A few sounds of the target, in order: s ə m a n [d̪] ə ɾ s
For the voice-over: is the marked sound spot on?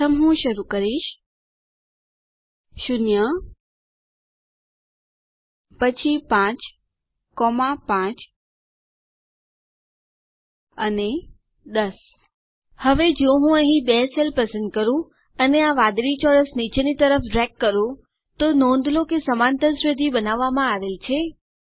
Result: no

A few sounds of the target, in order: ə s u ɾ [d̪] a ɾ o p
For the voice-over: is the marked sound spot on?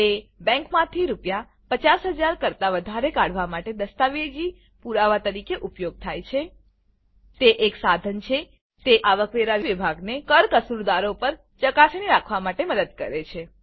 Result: yes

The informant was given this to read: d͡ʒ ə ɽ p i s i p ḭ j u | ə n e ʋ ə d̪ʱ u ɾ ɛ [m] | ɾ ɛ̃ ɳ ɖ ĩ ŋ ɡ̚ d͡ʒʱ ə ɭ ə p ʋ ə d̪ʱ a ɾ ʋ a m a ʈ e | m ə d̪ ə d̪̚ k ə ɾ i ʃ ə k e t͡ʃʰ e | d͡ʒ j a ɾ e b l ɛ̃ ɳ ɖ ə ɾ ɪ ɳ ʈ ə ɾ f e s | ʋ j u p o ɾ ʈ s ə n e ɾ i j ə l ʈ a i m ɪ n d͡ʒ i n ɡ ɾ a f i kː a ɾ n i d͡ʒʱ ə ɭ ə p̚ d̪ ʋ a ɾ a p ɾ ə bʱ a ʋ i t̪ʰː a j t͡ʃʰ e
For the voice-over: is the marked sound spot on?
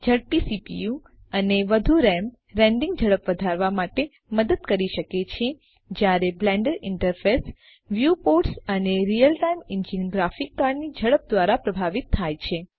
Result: yes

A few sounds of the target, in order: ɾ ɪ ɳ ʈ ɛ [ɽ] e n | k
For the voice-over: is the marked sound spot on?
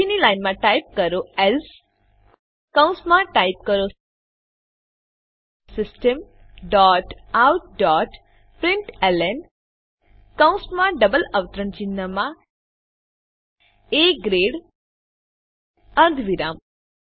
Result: no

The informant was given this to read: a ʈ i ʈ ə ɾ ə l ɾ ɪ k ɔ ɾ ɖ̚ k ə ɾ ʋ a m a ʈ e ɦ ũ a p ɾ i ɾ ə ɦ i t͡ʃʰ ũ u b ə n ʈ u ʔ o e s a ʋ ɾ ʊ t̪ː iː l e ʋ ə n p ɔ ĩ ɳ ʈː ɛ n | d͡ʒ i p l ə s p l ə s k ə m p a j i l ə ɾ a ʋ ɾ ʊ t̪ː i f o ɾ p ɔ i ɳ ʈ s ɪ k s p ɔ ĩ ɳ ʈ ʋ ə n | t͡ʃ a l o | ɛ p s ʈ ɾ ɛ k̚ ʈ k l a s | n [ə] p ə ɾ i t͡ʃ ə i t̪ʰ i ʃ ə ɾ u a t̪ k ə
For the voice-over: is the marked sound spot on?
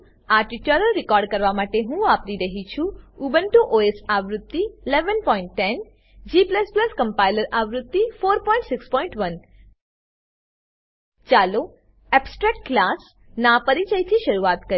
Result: no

